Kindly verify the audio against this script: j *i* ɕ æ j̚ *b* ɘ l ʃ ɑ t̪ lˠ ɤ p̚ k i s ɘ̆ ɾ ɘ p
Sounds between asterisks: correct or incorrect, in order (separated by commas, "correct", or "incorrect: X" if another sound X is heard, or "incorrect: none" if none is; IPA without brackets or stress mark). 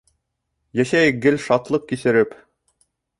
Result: incorrect: æ, incorrect: ɡ